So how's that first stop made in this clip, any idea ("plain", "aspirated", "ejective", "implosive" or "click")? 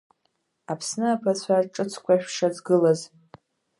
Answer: aspirated